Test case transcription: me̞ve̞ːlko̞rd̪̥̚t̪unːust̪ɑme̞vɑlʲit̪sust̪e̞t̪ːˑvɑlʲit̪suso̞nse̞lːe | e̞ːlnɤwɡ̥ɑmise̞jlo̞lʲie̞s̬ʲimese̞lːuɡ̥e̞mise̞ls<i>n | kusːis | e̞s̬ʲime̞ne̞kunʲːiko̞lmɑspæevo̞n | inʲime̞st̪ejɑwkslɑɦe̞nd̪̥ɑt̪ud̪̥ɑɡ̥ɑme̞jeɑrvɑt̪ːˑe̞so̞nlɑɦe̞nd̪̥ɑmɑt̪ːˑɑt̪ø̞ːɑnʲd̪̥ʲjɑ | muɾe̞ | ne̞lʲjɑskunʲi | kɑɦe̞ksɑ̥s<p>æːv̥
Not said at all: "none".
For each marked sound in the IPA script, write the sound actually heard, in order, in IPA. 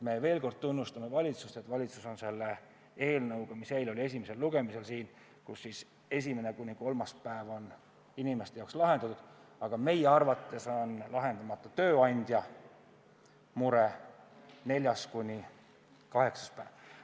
iː, p

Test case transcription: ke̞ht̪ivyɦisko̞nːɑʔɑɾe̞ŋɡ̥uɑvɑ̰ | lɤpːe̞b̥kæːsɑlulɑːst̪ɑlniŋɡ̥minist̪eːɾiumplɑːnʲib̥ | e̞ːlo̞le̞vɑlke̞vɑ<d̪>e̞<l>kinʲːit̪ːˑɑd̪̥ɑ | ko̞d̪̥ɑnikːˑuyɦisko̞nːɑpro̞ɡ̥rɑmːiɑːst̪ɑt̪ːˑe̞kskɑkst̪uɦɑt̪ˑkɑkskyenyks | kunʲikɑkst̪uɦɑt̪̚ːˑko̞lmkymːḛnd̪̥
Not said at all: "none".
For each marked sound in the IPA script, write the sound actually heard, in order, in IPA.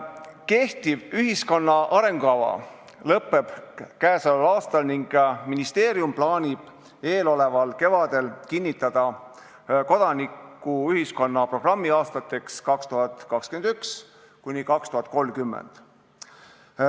d̪, l

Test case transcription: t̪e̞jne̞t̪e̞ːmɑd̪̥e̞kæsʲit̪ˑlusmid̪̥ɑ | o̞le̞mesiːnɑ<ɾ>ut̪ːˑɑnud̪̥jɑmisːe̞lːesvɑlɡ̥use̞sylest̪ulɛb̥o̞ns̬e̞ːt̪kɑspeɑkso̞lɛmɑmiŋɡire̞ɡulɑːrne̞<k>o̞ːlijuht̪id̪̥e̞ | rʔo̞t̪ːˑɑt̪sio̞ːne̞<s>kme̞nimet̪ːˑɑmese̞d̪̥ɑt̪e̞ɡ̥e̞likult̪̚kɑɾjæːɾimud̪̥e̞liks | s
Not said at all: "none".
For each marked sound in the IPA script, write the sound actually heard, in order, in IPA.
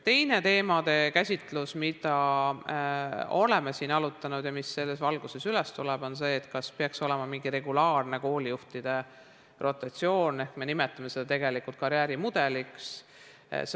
l, k, h

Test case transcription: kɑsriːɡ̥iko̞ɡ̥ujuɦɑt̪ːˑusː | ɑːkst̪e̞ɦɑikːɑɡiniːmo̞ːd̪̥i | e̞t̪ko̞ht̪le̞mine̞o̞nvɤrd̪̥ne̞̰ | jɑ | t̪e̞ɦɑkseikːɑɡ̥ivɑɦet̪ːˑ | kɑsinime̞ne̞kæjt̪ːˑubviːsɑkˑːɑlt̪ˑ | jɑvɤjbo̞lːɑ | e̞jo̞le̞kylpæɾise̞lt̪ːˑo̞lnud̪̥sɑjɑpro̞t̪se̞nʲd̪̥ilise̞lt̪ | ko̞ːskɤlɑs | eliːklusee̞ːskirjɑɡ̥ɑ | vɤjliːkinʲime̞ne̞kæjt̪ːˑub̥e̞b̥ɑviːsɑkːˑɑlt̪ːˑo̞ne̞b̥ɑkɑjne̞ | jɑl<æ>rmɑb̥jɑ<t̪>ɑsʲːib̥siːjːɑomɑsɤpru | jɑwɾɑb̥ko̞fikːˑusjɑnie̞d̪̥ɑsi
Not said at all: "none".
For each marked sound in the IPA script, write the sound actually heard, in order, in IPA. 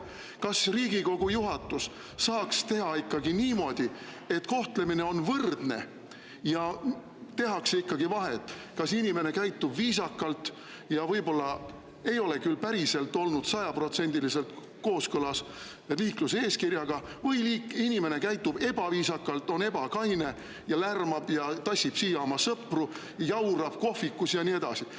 æ, t̪

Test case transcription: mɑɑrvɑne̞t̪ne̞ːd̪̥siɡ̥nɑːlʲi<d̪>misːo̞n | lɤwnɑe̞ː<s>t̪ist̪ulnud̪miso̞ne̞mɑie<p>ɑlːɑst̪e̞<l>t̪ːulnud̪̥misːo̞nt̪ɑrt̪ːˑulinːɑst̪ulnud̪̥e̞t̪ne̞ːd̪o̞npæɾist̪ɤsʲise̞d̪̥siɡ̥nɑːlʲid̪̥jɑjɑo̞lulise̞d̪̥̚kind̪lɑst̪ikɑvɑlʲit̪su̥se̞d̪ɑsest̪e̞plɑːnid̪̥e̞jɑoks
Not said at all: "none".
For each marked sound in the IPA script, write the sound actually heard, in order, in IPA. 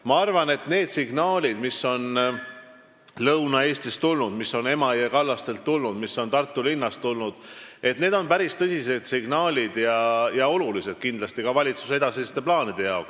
d̪, s, k, l

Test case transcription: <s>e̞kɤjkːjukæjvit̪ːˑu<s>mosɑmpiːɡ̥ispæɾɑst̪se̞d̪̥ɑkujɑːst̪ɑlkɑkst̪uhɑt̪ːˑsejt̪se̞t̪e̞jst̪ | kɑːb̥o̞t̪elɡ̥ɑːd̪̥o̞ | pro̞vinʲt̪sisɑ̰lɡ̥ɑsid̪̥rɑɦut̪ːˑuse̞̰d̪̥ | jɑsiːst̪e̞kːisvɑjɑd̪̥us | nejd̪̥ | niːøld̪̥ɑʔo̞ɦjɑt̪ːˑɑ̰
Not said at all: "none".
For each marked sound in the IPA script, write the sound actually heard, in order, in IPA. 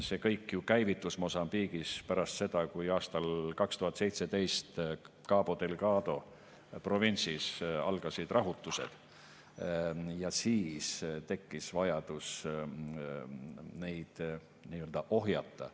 s, s

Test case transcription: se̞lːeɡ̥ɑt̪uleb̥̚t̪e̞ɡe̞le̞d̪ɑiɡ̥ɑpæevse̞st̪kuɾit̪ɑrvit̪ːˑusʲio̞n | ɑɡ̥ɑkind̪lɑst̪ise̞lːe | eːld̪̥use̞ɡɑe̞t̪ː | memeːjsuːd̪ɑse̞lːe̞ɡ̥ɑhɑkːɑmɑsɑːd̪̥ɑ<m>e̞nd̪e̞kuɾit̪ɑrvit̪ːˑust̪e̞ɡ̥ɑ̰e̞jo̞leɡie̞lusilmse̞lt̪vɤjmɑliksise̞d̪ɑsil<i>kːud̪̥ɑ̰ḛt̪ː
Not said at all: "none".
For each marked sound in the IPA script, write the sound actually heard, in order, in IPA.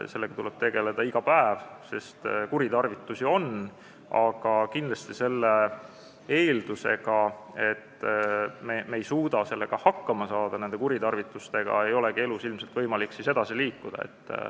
n, iː

